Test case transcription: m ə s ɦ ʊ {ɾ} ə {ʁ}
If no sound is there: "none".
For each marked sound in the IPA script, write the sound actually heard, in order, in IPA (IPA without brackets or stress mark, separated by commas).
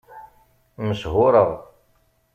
ɾ, ʁ